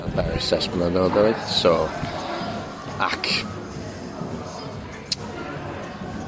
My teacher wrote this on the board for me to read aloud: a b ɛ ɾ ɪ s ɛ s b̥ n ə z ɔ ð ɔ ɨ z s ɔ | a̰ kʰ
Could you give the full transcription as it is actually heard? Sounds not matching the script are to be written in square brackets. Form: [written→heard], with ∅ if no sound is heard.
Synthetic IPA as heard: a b ɛ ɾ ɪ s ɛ s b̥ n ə [z→ð] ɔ ð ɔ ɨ [z→ð] s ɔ | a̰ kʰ